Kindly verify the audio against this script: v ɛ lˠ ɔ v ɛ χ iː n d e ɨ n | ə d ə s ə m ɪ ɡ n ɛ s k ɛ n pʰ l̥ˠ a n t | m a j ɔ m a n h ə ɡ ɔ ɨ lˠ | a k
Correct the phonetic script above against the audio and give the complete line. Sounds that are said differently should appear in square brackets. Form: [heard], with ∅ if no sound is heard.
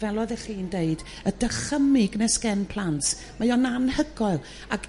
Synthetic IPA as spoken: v ɛ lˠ ɔ [ð] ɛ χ iː n d e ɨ [d] | ə d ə [χ] ə m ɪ ɡ n ɛ s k ɛ n pʰ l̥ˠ a n t | m a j ɔ [n] a n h ə ɡ ɔ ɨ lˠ | a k